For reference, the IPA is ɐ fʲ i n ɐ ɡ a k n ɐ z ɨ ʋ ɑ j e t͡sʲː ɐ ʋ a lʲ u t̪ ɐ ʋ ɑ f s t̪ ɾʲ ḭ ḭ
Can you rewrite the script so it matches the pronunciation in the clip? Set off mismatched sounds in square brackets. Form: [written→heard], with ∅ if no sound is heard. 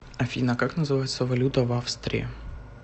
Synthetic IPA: ɐ fʲ i n ɐ [ɡ→k] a k n ɐ z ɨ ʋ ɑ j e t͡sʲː ɐ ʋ [a→ɐ] lʲ u t̪ ɐ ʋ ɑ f s t̪ ɾʲ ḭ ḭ